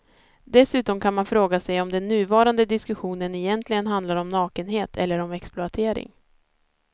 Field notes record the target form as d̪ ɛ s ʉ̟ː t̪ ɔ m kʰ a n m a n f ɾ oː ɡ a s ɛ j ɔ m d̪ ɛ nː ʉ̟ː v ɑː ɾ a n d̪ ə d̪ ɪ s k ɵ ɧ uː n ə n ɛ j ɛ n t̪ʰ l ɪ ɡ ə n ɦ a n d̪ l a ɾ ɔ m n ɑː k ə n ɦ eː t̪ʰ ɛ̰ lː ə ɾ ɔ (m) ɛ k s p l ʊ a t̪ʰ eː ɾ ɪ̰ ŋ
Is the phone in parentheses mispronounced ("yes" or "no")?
no